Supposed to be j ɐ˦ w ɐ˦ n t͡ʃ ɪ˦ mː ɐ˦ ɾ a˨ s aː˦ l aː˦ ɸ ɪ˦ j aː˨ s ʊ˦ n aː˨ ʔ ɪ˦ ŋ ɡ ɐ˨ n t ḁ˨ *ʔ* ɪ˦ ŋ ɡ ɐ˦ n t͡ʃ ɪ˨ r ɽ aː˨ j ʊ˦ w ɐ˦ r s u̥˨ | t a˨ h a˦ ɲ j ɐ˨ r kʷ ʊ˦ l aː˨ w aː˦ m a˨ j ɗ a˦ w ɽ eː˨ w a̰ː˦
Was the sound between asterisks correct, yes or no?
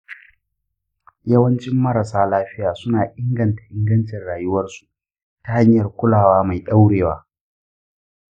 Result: yes